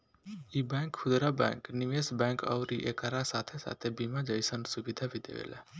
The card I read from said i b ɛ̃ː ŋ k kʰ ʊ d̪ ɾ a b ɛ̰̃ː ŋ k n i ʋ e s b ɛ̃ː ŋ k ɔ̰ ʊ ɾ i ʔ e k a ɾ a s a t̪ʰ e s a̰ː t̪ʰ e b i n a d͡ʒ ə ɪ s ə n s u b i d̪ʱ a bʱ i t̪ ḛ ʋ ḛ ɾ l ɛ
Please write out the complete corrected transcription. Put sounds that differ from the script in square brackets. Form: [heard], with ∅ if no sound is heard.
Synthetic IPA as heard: i b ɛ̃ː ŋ k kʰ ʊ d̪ ɾ a b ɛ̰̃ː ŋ k n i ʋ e s b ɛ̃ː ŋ k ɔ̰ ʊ ɾ i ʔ e k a ɾ a s a t̪ʰ e s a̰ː t̪ʰ e b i [m] a d͡ʒ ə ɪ s ə n s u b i d̪ʱ a bʱ i [d̪] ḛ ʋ ḛ [∅] l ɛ